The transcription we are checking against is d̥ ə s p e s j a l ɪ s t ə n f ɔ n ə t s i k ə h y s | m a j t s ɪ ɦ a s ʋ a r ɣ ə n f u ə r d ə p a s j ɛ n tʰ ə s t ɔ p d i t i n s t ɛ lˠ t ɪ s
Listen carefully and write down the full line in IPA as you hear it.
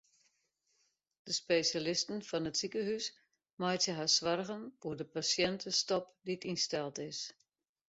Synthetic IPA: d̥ ə s p e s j a l ɪ s t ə n f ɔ n ə t s i k ə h y s | m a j t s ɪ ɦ a s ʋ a r ɣ ə n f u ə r d ə p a s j ɛ n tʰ ə s t ɔ p d i t i n s t ɛ lˠ t ɪ s